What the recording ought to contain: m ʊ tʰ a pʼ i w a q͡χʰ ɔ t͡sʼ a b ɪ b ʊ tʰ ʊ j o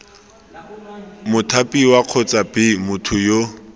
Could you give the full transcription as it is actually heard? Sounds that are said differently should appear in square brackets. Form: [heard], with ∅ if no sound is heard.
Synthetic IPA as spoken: m ʊ tʰ a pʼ i w a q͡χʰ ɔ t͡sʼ a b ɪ [m] ʊ tʰ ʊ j o